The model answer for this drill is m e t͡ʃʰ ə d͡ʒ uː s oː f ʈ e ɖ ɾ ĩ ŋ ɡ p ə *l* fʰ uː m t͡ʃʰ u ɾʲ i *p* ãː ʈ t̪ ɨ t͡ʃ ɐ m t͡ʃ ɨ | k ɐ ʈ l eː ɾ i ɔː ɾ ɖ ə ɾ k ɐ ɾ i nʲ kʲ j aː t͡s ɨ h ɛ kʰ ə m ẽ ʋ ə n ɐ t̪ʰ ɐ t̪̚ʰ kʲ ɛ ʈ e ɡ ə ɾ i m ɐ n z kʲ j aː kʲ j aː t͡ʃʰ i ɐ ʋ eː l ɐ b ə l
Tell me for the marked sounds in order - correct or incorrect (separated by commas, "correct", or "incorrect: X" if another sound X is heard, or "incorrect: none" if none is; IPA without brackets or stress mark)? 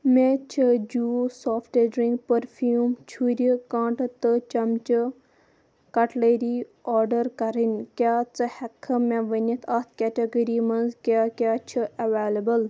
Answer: incorrect: ɾ, incorrect: k